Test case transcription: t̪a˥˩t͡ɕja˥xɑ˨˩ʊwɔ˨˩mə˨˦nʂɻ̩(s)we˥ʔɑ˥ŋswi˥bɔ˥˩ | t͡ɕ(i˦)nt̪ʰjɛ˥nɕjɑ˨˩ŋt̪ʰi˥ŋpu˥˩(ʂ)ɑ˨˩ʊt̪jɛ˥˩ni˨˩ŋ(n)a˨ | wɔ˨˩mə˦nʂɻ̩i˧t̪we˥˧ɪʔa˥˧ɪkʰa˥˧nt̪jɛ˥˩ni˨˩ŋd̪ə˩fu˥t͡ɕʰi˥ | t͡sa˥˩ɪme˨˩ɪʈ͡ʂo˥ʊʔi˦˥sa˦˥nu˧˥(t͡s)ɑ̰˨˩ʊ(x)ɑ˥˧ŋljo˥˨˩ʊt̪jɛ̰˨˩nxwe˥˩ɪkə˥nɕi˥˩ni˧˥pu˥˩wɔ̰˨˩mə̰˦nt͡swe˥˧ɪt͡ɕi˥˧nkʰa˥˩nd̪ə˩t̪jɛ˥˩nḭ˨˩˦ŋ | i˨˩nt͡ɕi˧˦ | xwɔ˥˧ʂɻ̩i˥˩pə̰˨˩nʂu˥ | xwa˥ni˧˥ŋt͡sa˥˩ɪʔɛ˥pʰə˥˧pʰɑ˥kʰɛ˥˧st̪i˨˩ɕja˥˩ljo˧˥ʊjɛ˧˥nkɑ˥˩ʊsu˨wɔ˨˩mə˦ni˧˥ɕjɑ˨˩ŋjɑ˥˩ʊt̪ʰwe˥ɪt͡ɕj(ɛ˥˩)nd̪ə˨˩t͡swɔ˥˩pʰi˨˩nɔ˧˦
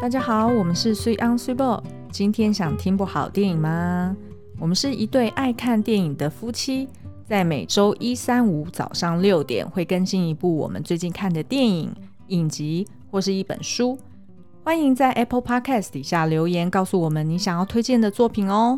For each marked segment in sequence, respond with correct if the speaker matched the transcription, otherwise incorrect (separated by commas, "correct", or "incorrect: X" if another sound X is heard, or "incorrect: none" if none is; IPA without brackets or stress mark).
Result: correct, correct, incorrect: x, incorrect: m, correct, incorrect: ʂ, correct